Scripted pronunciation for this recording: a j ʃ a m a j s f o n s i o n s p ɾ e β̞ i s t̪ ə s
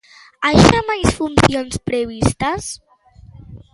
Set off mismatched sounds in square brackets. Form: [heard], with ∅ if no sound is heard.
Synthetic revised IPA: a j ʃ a m a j s f [u] n s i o n s p ɾ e β̞ i s t̪ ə s